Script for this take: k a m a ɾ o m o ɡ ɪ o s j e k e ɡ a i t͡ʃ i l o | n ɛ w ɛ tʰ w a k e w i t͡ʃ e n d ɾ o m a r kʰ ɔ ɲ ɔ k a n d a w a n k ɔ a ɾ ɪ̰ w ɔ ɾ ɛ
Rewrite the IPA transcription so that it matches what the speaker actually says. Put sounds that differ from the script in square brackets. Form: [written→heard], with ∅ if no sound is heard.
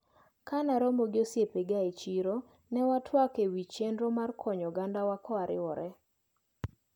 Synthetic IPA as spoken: k a [m→n] a ɾ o m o ɡ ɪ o s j e [k→p] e ɡ a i t͡ʃ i [l→ɾ] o | n ɛ w [ɛ→a] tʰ w a k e w i t͡ʃ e n d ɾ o m a r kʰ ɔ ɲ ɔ [k→ɡ] a n d a w a [n→∅] k ɔ a ɾ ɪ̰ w ɔ ɾ ɛ